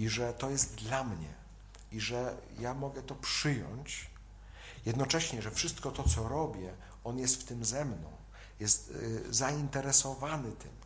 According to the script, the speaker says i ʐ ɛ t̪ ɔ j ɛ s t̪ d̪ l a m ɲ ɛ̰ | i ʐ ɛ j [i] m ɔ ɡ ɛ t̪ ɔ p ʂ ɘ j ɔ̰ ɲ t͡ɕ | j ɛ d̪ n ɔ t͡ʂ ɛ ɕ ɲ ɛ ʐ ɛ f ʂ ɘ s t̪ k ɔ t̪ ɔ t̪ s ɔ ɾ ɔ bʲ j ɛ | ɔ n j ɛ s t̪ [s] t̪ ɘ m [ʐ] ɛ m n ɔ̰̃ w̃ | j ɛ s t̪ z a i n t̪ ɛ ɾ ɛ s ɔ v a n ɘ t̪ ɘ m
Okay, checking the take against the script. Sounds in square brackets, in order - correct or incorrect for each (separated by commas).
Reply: incorrect, incorrect, incorrect